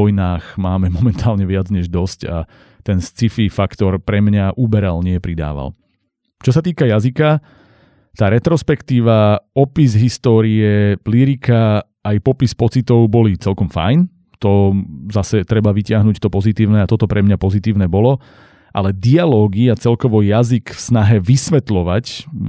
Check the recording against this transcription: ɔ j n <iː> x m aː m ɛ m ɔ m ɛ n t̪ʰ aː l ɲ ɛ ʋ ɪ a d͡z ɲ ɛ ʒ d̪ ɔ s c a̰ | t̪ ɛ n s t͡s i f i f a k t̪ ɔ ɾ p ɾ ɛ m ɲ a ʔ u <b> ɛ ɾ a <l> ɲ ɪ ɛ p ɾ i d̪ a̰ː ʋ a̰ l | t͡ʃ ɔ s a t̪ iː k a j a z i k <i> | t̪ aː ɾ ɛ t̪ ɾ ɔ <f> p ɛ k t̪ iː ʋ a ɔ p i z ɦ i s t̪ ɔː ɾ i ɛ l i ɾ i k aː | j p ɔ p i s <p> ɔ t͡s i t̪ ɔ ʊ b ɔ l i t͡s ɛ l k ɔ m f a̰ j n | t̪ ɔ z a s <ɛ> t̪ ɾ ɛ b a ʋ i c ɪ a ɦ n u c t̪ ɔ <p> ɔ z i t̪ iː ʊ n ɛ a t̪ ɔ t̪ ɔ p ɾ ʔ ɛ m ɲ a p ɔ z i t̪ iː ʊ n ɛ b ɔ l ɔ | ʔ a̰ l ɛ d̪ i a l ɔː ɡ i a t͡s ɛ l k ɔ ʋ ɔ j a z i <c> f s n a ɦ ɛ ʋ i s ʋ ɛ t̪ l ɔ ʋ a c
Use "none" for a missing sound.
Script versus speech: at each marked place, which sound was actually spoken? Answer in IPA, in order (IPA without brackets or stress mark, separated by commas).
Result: aː, b, l, a, s, p, ɛ, p, k